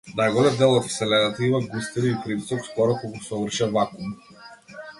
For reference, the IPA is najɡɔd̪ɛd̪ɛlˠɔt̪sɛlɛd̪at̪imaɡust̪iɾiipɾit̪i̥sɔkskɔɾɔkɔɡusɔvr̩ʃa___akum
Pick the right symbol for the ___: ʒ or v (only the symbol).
v